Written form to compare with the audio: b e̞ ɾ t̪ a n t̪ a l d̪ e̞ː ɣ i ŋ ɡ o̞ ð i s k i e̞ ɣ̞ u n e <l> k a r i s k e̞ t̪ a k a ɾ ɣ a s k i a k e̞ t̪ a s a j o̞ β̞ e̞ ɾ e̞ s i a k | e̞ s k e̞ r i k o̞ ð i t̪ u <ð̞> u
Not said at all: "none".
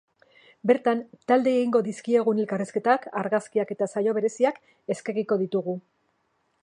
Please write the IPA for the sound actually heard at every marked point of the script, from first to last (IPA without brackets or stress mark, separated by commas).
l, ɣ̞